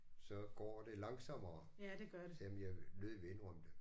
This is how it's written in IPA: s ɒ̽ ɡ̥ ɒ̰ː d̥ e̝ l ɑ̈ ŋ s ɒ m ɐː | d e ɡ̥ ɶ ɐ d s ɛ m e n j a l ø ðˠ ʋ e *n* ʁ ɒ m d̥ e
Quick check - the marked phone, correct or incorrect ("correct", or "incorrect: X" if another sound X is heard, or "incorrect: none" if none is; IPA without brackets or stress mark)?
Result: correct